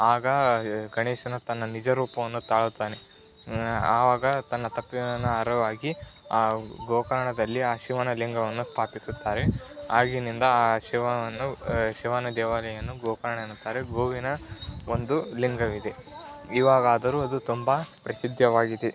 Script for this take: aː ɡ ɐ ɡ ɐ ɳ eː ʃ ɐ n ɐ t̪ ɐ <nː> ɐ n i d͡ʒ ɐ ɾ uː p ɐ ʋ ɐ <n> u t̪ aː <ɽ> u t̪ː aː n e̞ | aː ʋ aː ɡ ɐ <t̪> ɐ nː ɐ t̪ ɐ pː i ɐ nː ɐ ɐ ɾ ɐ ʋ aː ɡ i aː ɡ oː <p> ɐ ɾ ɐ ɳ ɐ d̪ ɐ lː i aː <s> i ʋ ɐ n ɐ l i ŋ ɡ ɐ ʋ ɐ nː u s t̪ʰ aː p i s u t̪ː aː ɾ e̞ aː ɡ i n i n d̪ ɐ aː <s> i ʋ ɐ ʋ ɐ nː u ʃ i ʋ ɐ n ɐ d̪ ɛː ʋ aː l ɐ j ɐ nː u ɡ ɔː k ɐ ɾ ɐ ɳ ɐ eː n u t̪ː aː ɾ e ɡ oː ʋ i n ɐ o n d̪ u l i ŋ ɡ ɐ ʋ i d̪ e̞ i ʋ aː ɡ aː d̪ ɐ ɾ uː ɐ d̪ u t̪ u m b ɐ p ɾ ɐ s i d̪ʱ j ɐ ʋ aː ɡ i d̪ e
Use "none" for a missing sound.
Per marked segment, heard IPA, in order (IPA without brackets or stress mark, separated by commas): nː, nː, ɭ, t̪, k, ʃ, ʃ